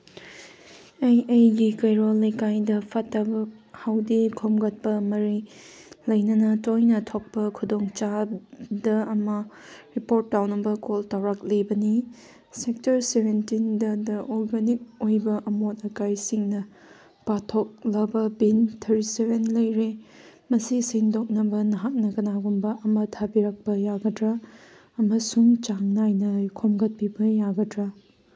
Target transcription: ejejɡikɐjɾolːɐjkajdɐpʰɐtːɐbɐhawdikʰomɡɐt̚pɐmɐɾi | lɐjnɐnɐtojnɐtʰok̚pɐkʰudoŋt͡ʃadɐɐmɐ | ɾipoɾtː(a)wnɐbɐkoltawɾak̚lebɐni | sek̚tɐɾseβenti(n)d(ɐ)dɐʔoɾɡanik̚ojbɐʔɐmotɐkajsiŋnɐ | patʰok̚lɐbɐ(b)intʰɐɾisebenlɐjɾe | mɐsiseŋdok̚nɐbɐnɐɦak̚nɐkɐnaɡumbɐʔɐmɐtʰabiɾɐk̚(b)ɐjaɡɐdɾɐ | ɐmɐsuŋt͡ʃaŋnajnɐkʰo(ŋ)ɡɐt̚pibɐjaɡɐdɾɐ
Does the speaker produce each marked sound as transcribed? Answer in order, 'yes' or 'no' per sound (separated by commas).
yes, yes, yes, yes, no, no